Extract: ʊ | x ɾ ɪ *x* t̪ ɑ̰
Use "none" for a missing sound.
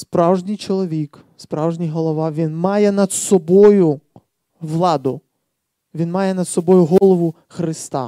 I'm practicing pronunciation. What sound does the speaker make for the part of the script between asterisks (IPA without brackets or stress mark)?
s